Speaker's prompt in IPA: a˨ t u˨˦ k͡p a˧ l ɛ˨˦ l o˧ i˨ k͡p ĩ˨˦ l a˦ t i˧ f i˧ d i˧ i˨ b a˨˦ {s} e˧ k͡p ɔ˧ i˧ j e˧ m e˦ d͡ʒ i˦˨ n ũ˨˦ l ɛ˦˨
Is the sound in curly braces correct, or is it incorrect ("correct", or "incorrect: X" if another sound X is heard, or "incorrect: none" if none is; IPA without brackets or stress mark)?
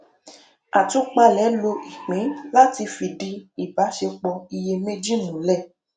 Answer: incorrect: ʃ